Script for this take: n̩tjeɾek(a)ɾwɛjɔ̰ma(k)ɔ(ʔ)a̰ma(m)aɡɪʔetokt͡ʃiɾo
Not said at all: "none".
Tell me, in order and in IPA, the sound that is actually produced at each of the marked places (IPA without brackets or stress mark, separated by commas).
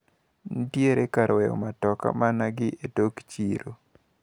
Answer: a, t, k, n